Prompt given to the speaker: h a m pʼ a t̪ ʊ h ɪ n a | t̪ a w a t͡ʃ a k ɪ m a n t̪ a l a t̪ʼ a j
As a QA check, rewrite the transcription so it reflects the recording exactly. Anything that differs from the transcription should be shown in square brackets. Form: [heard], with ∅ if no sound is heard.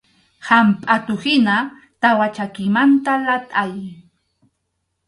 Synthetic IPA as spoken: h a m pʼ a t̪ ʊ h ɪ n a | t̪ a w a t͡ʃ a k ɪ m a n t̪ a l a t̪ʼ a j